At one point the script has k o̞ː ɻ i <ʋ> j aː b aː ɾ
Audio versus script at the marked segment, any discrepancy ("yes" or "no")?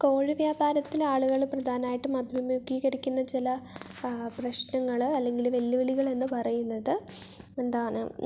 no